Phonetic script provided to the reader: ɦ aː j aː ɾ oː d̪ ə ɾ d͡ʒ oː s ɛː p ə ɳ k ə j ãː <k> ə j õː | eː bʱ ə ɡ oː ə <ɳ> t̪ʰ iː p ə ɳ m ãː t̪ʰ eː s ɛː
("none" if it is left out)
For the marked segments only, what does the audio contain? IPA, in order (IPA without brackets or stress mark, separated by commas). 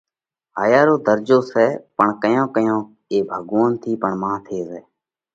k, n